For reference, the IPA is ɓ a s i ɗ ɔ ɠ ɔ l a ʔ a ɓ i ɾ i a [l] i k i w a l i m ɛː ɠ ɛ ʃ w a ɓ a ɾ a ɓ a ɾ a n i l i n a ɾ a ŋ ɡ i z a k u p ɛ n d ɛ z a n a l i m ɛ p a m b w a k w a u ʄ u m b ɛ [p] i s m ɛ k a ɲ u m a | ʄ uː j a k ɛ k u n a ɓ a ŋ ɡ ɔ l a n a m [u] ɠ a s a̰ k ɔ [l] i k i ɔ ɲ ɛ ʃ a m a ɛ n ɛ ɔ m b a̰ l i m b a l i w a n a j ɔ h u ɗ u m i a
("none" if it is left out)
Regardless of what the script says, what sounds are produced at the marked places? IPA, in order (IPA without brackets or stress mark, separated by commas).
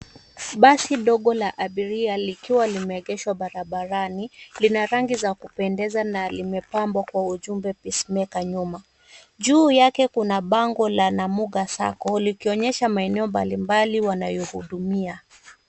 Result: l, p, u, l